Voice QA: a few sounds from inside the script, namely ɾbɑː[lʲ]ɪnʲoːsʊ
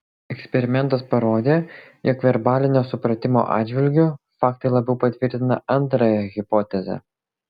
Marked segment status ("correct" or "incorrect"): correct